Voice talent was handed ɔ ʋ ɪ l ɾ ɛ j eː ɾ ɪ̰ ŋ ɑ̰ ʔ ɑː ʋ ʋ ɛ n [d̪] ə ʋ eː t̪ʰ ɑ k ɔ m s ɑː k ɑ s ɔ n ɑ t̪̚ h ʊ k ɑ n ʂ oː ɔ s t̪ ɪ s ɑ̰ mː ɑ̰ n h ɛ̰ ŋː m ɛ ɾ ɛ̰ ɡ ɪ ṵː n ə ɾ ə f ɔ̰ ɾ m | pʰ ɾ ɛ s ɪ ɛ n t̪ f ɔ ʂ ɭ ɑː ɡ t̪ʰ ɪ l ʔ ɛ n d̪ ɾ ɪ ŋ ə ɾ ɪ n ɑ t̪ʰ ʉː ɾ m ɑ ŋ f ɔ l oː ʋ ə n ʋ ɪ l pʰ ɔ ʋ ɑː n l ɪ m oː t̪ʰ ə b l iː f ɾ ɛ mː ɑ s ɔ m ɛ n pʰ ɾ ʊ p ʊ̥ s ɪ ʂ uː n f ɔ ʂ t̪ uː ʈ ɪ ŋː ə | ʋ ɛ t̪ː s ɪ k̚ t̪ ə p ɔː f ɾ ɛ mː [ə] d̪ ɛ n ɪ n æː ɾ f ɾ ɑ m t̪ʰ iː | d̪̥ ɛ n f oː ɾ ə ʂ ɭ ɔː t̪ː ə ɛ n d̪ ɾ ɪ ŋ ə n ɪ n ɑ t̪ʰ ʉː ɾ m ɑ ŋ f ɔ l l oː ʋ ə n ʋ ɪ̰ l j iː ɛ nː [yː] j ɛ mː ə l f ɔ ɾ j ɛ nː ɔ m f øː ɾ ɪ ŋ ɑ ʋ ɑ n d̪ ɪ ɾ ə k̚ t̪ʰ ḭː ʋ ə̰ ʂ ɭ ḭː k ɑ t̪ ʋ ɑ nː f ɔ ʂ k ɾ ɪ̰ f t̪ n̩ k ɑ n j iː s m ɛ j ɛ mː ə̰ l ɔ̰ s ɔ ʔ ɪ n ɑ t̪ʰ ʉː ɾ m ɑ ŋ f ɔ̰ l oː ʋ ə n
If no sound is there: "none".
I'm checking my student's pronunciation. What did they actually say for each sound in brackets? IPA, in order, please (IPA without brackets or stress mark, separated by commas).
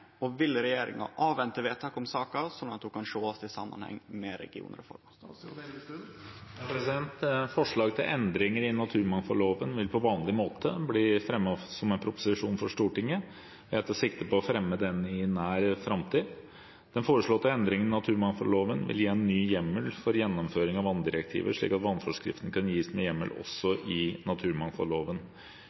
t̪, ə, yː